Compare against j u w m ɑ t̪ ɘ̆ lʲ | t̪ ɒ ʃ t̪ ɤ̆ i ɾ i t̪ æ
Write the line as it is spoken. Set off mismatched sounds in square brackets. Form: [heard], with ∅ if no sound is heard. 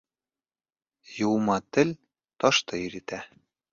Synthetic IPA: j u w m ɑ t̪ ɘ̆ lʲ | t̪ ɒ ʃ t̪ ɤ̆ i ɾ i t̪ æ